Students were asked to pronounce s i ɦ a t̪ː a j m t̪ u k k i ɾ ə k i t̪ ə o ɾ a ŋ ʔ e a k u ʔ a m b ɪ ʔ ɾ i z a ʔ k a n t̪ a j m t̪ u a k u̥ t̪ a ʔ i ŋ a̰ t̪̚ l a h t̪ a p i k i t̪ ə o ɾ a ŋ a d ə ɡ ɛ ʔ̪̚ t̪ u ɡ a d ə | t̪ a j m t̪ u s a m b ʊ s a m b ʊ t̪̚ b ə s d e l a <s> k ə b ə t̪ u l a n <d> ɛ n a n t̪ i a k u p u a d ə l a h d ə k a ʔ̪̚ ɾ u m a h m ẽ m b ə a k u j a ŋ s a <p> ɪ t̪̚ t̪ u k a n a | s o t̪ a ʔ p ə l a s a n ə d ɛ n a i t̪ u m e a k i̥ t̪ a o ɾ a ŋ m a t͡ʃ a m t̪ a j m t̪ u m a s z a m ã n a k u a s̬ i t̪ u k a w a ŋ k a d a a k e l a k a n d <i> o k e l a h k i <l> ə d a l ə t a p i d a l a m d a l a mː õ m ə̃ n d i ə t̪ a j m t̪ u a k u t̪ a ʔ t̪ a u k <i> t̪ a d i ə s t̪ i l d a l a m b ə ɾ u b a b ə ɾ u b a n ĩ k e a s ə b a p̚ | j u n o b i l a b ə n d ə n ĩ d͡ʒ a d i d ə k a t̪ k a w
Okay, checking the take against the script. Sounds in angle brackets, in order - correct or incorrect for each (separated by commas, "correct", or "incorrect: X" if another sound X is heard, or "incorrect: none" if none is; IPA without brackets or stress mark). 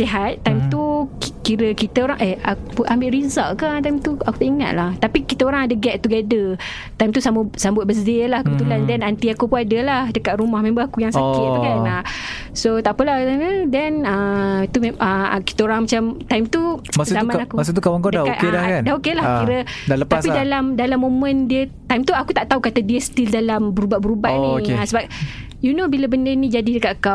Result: incorrect: h, correct, incorrect: k, incorrect: a, incorrect: ɾ, incorrect: a